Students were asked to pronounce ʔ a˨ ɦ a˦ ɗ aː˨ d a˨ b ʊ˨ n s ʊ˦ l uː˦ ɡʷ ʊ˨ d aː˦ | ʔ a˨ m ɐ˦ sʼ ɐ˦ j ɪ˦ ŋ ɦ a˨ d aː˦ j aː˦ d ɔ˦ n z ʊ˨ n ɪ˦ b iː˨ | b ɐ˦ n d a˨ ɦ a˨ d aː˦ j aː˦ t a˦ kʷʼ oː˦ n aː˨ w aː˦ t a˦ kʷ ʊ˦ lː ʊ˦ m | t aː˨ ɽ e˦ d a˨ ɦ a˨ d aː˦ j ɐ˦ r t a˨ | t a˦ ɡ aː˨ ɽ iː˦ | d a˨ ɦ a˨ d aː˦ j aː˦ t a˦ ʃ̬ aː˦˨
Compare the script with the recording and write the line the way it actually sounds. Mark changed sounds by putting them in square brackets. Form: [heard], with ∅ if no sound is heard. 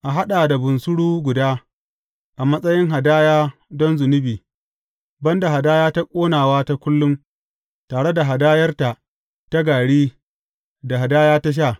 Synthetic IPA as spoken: ʔ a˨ ɦ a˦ ɗ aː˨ d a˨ b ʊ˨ n s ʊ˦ [ɽ] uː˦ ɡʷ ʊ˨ d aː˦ | ʔ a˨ m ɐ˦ sʼ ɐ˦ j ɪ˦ ŋ ɦ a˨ d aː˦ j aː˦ d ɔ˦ n z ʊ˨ n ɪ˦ b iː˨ | b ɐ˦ n d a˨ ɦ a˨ d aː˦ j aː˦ t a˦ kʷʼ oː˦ n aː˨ w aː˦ t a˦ kʷ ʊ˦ lː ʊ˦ m | t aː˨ ɽ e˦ d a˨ ɦ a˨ d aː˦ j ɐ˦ r t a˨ | t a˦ ɡ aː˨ ɽ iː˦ | d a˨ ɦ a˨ d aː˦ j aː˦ t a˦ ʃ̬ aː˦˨